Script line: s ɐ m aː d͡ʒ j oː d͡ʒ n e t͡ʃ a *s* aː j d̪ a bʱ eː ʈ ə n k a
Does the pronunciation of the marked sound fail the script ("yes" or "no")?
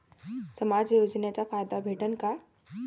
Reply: yes